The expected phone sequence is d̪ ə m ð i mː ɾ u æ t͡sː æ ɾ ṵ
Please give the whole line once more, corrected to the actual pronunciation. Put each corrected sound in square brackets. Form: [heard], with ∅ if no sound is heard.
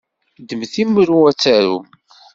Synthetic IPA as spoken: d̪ ə m [θ] i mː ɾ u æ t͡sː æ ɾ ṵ